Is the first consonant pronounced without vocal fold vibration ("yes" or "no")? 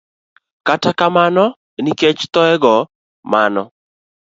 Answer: yes